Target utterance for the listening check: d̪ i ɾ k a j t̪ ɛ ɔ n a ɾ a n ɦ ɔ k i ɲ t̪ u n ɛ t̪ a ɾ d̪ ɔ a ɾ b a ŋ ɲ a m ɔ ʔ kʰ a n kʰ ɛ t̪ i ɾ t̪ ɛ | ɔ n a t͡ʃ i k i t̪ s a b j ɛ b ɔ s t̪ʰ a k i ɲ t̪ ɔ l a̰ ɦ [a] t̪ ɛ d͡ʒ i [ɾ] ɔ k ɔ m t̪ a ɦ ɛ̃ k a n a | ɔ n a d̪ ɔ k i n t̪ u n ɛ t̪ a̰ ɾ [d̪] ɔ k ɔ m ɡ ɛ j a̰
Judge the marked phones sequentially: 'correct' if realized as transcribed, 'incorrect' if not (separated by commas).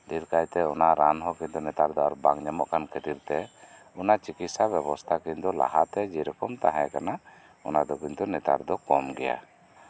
correct, correct, correct